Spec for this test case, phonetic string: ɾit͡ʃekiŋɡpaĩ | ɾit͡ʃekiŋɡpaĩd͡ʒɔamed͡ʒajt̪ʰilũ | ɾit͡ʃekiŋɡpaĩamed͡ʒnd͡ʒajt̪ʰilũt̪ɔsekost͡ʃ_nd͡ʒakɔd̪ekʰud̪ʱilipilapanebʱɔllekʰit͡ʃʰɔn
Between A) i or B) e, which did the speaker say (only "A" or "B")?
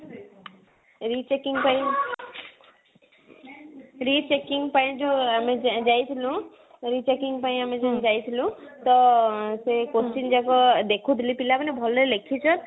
A